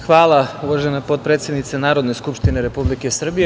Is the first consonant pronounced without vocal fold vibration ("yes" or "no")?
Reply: yes